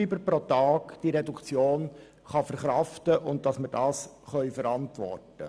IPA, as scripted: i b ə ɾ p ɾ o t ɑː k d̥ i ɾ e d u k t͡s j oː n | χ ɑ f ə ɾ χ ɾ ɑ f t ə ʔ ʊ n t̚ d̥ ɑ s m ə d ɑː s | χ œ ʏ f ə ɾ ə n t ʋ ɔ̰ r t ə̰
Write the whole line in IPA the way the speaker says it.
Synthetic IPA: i b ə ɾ p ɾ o t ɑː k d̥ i ɾ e d u k t͡s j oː n | χ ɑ f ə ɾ χ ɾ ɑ f t ə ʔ ʊ n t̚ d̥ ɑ s m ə d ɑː s | χ œ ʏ f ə ɾ ɑ n t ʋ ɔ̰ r t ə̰